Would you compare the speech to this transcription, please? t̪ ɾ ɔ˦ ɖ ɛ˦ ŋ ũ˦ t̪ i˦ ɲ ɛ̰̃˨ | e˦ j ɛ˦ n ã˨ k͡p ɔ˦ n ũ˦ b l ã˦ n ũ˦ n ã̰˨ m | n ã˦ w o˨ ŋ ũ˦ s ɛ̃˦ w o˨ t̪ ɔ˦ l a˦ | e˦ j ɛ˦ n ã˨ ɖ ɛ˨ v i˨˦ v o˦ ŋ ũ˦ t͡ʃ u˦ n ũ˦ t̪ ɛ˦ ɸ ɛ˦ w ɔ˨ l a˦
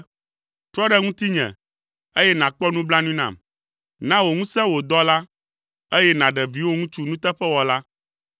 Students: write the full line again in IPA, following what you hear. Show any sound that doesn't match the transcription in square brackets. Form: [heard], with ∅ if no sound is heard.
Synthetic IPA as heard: t̪ ɾ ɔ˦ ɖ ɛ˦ ŋ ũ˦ t̪ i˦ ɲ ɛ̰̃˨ | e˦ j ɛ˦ n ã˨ k͡p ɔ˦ n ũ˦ b l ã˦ n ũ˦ n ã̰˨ m | n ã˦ w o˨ ŋ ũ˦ s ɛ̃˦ w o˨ [d̪] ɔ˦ l a˦ | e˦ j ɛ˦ n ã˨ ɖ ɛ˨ v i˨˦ [w] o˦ ŋ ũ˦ t͡ʃ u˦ n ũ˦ t̪ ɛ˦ ɸ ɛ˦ w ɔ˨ l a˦